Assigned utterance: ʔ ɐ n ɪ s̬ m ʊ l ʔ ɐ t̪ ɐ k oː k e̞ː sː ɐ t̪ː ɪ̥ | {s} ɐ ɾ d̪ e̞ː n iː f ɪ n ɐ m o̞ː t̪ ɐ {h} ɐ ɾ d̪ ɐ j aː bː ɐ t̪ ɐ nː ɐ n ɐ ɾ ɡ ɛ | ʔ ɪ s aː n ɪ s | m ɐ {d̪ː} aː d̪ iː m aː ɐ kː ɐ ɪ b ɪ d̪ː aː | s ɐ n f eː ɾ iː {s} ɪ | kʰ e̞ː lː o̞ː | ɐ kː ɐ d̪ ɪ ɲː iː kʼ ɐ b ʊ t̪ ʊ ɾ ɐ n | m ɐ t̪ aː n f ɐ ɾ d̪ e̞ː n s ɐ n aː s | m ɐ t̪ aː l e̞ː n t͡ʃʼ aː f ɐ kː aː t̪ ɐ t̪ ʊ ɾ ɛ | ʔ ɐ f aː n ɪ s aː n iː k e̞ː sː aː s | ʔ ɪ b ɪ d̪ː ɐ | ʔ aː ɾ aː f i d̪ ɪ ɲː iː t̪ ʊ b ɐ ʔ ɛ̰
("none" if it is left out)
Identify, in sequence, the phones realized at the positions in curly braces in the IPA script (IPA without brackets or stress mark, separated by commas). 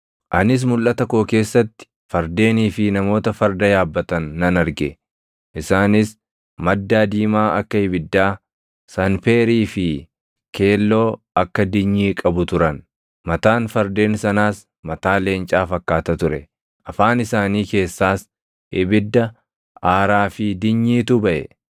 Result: f, f, d̪ː, f